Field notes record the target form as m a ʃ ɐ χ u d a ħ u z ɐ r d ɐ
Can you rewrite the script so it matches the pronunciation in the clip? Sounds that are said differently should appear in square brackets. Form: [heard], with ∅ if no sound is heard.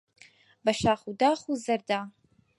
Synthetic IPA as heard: [b] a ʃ [a] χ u d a [χ] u z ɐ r d [a]